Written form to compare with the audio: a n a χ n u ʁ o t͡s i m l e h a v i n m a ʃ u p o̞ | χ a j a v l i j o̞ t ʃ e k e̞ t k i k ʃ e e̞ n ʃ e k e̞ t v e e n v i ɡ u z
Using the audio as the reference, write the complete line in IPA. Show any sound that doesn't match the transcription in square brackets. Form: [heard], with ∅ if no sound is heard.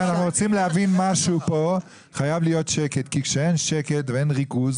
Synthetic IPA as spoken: a n a χ n u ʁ o t͡s i m l e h a v i n m a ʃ u p o̞ | χ a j a v l i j o̞ t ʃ e k e̞ t k i k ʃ e e̞ n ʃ e k e̞ t v e e n [ʁ] i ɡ u z